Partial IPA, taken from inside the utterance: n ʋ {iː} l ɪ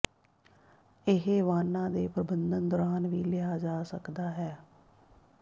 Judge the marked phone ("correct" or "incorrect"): correct